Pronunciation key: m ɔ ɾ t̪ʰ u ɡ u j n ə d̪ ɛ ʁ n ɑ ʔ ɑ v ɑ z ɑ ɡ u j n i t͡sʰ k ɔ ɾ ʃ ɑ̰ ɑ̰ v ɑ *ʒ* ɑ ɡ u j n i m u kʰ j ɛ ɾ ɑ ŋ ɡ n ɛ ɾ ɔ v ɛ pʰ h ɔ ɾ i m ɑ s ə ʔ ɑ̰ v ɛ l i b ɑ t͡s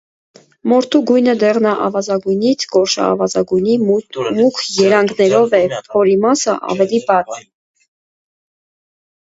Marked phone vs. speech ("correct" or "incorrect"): incorrect